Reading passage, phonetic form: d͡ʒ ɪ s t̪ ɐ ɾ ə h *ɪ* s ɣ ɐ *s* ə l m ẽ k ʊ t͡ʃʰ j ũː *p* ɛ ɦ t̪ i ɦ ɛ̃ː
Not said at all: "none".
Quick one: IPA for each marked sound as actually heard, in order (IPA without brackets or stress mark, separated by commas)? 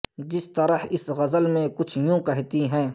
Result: ɪ, z, k